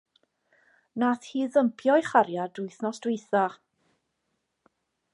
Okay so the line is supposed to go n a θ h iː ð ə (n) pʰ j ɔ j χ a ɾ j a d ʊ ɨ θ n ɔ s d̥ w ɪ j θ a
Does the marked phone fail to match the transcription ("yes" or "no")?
yes